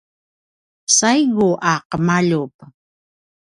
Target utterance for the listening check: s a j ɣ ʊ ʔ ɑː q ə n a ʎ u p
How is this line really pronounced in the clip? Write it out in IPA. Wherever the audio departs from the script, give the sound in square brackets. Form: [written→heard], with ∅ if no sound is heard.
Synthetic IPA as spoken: s a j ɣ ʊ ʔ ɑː q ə [n→m] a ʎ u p